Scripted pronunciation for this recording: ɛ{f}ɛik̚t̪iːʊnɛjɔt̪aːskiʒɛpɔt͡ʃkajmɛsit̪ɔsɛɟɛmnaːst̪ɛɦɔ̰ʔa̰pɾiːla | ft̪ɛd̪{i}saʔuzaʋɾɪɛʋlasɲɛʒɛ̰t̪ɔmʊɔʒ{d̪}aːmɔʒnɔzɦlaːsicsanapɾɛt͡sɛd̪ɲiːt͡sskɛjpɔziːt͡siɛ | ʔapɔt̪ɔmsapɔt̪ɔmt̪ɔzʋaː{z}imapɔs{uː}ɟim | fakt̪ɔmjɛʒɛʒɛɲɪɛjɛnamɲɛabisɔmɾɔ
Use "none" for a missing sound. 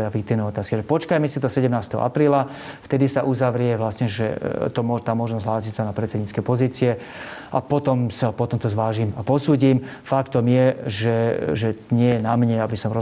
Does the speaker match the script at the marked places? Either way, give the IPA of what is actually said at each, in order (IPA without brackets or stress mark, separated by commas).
f, i, t̪, ʒ, uː